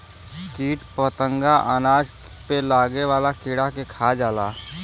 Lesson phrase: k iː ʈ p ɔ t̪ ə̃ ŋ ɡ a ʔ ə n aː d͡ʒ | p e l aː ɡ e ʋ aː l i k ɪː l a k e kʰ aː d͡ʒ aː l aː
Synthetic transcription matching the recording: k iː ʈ p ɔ t̪ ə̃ ŋ ɡ a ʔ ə n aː d͡ʒ | p e l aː ɡ e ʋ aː l a k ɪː ɽ a k e kʰ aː d͡ʒ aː l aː